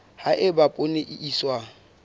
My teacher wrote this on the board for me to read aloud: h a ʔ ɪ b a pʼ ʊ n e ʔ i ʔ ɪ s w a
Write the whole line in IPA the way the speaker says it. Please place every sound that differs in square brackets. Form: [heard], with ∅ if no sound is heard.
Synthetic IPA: h a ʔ ɪ b a pʼ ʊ n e ʔ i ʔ [i] s w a